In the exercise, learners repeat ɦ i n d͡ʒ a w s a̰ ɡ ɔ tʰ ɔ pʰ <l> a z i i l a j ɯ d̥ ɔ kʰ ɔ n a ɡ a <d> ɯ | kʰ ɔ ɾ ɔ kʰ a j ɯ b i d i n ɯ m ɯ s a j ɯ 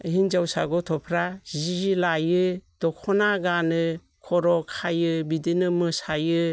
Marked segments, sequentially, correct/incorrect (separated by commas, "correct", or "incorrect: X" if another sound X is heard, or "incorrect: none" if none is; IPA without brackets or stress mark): incorrect: ɾ, incorrect: n